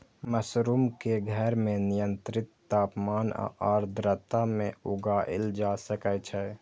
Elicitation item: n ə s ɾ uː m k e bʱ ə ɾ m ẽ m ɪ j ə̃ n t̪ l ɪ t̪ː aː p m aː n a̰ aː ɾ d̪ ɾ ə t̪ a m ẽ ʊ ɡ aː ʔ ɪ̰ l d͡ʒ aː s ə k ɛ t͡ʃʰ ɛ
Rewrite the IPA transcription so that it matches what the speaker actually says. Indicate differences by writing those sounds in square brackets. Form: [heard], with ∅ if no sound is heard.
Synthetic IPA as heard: [m] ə s ɾ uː m k e [ɡʱ] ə ɾ m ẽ [n] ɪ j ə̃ n t̪ [ɾ] ɪ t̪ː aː p m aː n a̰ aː ɾ d̪ ɾ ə t̪ a m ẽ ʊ ɡ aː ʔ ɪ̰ l d͡ʒ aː s ə k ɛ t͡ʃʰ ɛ

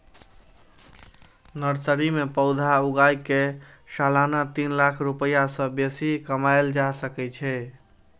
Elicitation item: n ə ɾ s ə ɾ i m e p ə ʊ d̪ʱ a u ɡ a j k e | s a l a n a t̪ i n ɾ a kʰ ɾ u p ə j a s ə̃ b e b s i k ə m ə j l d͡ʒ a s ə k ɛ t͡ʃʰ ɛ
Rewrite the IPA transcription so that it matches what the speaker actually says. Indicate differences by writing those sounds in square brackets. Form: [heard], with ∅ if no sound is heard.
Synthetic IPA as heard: n ə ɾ s ə ɾ i m e p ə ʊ d̪ʱ a u ɡ a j k e | s a l a n a t̪ i n [l] a kʰ ɾ u p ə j a s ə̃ b e [∅] s i k ə m [a] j l d͡ʒ a s ə k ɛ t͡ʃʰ ɛ

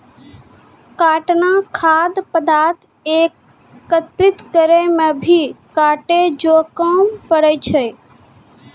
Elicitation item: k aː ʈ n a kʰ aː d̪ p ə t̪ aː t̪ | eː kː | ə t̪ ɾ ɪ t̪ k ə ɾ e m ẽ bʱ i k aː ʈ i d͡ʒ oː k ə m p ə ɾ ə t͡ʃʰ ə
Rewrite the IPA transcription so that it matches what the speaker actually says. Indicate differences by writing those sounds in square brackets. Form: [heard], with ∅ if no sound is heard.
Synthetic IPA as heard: k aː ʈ n a kʰ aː d̪ p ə [d̪] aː t̪ | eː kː | ə t̪ ɾ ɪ t̪ k ə ɾ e m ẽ bʱ i k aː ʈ [e] d͡ʒ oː k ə m p ə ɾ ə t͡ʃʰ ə

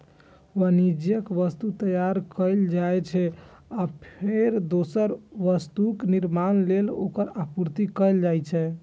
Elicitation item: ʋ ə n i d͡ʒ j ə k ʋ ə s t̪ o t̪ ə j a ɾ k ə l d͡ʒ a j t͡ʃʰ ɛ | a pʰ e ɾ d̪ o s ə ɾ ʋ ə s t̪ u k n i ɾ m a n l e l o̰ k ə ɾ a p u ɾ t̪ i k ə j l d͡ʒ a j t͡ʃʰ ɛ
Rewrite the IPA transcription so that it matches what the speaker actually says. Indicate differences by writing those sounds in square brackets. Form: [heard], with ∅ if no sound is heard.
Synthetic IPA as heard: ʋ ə n i d͡ʒ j ə k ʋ ə s t̪ [u] t̪ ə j a ɾ k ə l d͡ʒ a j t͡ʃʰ ɛ | a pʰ e ɾ d̪ o s ə ɾ ʋ ə s t̪ u k n i ɾ m a n l e l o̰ k ə ɾ a p u ɾ t̪ i k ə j l d͡ʒ a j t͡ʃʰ ɛ

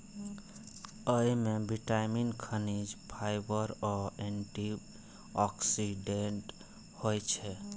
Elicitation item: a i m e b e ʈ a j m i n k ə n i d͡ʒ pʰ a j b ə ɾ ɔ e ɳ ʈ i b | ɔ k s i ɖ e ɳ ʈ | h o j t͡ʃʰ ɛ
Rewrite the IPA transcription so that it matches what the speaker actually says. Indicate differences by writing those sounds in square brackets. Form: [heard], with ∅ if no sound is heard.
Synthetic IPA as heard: [ə] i m e b [i] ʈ a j m i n [kʰ] ə n i d͡ʒ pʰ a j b ə ɾ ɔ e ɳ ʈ i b | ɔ k s i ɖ e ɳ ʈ | h o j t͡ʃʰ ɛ

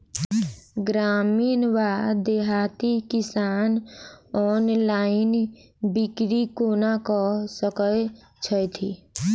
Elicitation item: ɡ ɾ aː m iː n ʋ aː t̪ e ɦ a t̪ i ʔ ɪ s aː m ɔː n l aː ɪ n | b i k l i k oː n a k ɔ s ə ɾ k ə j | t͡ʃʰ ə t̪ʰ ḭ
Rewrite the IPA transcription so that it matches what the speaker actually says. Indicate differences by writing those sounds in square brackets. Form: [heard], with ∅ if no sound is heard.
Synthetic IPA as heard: ɡ ɾ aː m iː n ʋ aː [d̪] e ɦ a t̪ i [k] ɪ s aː [n] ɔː n l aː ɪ n | b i k [ɾ] i k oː n a k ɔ s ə [∅] k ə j | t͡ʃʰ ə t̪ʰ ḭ

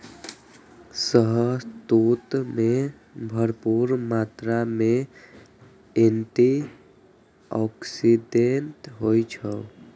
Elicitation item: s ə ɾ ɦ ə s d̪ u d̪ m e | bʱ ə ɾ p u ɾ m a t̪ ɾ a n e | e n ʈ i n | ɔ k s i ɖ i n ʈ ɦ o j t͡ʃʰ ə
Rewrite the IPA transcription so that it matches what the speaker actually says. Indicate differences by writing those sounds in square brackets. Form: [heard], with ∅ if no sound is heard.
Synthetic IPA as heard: s ə [∅] ɦ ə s [t̪] u [t̪] m e | bʱ ə ɾ p u ɾ m a t̪ ɾ a [m] e | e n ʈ i [∅] | ɔ k s i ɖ [e] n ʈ ɦ o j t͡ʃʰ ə

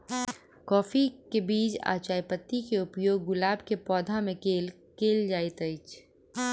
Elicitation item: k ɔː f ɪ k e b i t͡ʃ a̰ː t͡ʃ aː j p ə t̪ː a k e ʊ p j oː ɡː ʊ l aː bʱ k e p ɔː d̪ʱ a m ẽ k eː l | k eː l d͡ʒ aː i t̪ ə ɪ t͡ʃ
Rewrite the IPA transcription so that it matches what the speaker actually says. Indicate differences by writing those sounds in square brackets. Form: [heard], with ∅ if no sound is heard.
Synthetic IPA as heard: k ɔː f [i] k e b [iː] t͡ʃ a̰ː t͡ʃ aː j p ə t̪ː [i] k e ʊ p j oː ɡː ʊ l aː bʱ k e p ɔː d̪ʱ a m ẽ k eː l | k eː l d͡ʒ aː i t̪ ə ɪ t͡ʃ

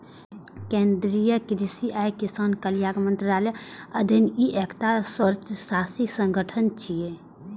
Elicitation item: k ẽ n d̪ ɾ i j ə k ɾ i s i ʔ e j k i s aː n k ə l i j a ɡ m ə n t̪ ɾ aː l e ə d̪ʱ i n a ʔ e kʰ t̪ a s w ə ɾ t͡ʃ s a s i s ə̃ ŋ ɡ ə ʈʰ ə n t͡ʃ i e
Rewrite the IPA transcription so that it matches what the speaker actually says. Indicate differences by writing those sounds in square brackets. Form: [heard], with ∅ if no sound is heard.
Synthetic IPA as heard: k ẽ n d̪ ɾ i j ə k ɾ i s i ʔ [a] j k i s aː n k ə l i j a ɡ m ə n t̪ ɾ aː l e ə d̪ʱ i n [i] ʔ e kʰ t̪ a s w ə ɾ t͡ʃ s a s i s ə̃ ŋ ɡ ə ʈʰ ə n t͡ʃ i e

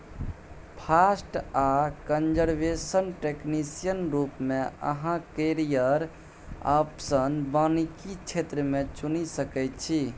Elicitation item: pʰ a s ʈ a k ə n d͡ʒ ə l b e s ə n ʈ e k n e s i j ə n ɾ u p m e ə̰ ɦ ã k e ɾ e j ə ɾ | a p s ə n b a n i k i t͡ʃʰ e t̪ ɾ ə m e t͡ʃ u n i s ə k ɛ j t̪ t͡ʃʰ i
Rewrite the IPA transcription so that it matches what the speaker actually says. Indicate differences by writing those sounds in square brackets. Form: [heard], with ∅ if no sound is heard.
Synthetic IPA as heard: pʰ a s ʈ a k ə n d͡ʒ ə [ɾ] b e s ə n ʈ e k n [i] s i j ə n ɾ u p m e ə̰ ɦ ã k e ɾ [i] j ə ɾ | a p s ə n b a n i k i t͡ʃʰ e t̪ ɾ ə m e t͡ʃ u n i s ə k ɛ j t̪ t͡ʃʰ i

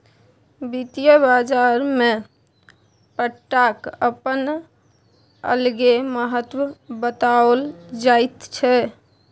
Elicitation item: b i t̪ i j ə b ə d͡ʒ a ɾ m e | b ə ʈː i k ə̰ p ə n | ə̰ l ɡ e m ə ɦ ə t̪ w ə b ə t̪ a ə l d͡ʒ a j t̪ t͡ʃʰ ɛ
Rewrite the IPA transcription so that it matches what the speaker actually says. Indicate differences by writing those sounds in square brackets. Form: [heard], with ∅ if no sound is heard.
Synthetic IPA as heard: b i t̪ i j ə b [a] d͡ʒ a ɾ m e | [p] ə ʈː [a] k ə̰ p ə n | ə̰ l ɡ e m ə ɦ ə t̪ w ə b ə t̪ a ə l d͡ʒ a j t̪ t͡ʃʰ ɛ

